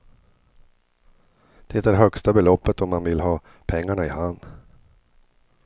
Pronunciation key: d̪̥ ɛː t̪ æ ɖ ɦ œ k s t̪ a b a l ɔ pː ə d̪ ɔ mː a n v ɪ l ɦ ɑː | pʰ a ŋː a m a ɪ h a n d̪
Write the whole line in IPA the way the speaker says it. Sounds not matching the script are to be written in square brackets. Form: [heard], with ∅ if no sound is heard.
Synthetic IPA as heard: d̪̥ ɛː t̪ æ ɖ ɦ œ k s t̪ a b [ɛ] l ɔ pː ə [t̪] ɔ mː a n v ɪ l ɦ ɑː | pʰ [ɛ] ŋː a [ɳ] a ɪ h a n d̪